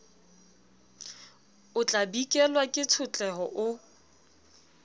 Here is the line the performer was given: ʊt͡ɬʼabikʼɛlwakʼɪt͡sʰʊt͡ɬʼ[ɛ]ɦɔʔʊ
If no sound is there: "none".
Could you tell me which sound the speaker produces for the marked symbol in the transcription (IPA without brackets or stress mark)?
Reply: ɛ